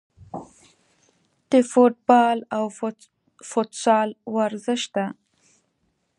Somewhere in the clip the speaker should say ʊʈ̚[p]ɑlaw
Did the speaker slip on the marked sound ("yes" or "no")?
yes